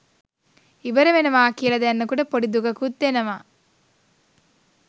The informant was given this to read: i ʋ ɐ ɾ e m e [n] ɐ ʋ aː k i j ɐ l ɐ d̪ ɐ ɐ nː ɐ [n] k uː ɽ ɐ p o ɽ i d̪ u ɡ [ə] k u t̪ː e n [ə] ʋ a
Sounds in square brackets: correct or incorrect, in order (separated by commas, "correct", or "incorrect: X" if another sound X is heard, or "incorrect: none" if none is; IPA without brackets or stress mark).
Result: correct, incorrect: none, incorrect: ɐ, incorrect: ɐ